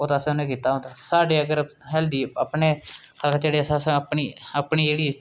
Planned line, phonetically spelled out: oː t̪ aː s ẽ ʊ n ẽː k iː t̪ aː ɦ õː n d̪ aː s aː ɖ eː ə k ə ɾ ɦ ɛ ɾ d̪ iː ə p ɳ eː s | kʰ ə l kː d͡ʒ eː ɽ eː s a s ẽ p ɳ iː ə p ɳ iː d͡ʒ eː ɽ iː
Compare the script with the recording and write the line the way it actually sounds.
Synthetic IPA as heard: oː t̪ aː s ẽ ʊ n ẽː k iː t̪ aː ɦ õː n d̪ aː s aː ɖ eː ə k ə ɾ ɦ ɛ l d̪ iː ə p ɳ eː | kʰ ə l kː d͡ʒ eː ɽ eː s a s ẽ p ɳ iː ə p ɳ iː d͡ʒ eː ɽ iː